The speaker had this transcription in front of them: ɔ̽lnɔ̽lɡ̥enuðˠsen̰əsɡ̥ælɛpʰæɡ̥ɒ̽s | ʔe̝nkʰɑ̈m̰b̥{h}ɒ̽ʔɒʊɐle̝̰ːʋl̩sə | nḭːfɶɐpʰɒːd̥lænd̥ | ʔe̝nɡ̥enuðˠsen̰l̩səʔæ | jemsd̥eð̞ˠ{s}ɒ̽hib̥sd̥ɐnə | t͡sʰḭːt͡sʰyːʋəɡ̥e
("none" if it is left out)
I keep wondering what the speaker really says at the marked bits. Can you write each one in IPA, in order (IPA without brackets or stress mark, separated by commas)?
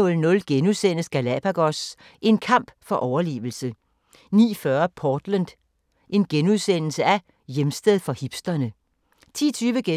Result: f, f